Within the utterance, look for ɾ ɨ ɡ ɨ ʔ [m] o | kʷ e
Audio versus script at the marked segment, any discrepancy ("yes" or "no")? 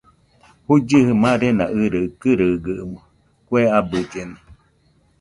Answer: no